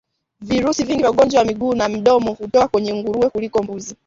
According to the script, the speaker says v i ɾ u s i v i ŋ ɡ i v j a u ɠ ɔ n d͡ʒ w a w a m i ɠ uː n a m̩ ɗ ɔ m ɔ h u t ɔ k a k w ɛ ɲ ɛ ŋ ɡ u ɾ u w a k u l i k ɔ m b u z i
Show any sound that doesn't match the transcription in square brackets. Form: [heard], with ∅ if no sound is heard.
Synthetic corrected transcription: v i ɾ u s i v i ŋ ɡ i v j a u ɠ ɔ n d͡ʒ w a w a m i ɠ uː n a m̩ ɗ ɔ m ɔ h u t ɔ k a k w ɛ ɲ ɛ ŋ ɡ u ɾ u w [ɛ] k u l i k ɔ m b u z i

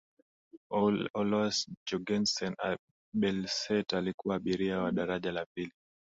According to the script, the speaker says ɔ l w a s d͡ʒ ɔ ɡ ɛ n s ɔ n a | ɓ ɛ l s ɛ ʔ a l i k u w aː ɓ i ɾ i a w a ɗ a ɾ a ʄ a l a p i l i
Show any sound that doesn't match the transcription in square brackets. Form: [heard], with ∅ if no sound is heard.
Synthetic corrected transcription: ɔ l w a s d͡ʒ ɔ ɡ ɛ n s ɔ n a | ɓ ɛ l s ɛ [t] a l i k u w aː ɓ i ɾ i a w a ɗ a ɾ a ʄ a l a p i l i

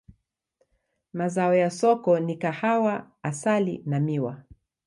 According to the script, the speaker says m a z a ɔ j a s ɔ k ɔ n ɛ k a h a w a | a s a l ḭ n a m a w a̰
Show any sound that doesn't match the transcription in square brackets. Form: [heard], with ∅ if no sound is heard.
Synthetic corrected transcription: m a z a ɔ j a s ɔ k ɔ n [i] k a h a w a | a s a l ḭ n a m [i] w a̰

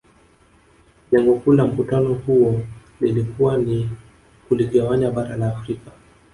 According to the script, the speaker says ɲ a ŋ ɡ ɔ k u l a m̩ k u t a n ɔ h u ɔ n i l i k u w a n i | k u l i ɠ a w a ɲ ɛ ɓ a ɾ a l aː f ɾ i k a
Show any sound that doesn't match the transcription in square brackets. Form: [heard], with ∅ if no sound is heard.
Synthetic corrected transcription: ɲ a ŋ ɡ ɔ k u l a m̩ k u t a n ɔ h u ɔ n i l i k u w a n i | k u l i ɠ a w a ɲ [a] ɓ a ɾ a l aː f ɾ i k a

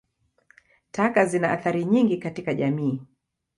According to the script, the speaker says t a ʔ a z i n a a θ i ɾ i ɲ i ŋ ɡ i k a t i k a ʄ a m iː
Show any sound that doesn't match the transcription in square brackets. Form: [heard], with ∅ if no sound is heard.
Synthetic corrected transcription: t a [k] a z i n a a θ [a] ɾ i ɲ i ŋ ɡ i k a t i k a ʄ a m iː

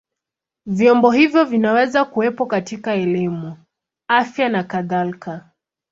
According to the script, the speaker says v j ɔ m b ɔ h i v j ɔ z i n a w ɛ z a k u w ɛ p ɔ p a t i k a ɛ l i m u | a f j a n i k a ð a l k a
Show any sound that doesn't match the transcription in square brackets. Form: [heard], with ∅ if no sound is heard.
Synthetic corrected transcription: v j ɔ m b ɔ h i v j ɔ [v] i n a w ɛ z a k u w ɛ p ɔ [k] a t i k a ɛ l i m u | a f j a n [a] k a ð a l k a

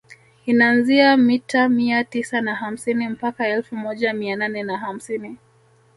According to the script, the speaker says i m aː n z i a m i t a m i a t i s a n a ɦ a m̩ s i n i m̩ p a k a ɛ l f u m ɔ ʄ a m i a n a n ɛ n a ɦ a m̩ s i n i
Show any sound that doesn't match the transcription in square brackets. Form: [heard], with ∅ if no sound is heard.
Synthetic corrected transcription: i [n] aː n z i a m i t a m i a t i s a n a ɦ a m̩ s i n i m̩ p a k a ɛ l f u m ɔ ʄ a m i a n a n ɛ n a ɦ a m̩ s i n i

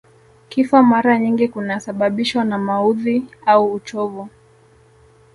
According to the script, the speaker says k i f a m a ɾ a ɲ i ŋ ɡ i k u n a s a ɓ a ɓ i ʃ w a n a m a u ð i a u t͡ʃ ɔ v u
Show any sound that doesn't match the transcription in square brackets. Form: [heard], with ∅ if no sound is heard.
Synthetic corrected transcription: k i f a m a ɾ a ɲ i ŋ ɡ i k u n a s a ɓ a ɓ i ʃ w a n a m a u ð i a [uː] t͡ʃ ɔ v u

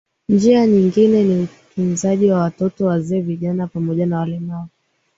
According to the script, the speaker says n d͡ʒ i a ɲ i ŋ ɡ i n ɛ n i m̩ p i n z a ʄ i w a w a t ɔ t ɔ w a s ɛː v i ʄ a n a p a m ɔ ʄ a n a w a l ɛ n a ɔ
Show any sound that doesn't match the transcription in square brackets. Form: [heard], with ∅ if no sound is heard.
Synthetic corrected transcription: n d͡ʒ i a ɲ i ŋ ɡ i n ɛ n i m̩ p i n z a ʄ i w a w a t ɔ t ɔ w a [z] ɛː v i ʄ a n a p a m ɔ ʄ a n a w a l ɛ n a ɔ

